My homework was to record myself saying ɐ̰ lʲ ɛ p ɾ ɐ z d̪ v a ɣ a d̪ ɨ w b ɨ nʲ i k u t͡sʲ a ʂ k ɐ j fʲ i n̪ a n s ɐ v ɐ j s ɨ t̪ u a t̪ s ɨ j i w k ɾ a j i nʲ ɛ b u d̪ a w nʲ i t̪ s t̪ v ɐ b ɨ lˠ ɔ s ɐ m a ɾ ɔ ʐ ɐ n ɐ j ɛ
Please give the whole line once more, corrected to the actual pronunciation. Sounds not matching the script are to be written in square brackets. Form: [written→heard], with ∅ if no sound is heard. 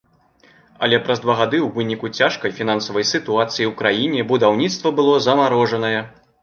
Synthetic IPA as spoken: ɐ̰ lʲ ɛ p ɾ ɐ z d̪ v a ɣ a d̪ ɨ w [b→v] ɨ nʲ i k u t͡sʲ a ʂ k ɐ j fʲ i n̪ a n s ɐ v ɐ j s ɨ t̪ u a t̪ s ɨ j i w k ɾ a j i nʲ ɛ b u d̪ a w nʲ i t̪ s t̪ v ɐ b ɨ lˠ ɔ [s→z] ɐ m a ɾ ɔ ʐ ɐ n ɐ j ɛ